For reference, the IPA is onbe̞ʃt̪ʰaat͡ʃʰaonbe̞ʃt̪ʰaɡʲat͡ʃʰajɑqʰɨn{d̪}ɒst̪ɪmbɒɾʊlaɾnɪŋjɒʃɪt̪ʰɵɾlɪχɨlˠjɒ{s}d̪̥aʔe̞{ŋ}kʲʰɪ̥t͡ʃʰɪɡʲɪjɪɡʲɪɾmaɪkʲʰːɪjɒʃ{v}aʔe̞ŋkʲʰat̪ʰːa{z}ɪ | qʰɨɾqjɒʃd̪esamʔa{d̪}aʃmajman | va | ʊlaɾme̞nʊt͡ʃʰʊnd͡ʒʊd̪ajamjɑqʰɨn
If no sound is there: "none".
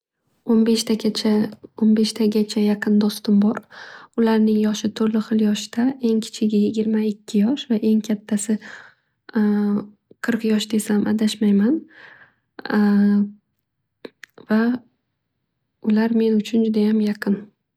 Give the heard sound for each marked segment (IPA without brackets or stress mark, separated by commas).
d̪, ʃ, ŋ, v, s, d̪